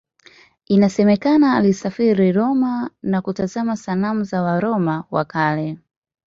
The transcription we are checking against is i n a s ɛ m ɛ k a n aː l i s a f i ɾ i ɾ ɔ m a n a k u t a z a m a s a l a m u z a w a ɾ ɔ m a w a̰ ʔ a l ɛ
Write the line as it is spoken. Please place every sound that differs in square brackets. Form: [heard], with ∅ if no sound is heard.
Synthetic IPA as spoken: i n a s ɛ m ɛ k a n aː l i s a f i ɾ i ɾ ɔ m a n a k u t a z a m a s a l a m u z a w a ɾ ɔ m a w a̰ [k] a l ɛ